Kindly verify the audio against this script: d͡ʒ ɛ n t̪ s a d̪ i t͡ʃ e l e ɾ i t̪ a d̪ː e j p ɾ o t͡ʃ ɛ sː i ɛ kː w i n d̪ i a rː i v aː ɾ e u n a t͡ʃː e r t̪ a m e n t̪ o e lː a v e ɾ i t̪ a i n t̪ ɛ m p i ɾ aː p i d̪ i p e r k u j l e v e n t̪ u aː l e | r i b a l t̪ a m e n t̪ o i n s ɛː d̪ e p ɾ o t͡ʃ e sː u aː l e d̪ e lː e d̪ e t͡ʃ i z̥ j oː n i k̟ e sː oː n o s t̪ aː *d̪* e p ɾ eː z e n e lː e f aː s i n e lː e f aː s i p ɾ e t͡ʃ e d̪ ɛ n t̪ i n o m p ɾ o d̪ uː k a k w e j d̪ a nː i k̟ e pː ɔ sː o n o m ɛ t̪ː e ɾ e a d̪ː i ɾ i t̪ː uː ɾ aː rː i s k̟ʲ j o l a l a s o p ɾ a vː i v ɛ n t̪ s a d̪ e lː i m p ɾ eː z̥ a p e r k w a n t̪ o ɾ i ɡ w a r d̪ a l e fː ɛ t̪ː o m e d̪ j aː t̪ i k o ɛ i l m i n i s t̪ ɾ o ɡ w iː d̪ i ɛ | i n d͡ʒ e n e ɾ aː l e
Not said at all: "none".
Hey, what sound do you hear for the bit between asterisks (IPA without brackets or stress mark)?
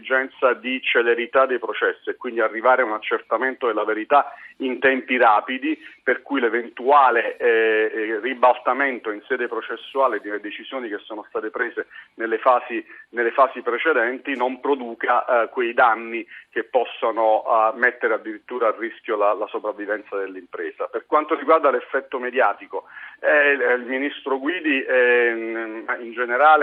t̪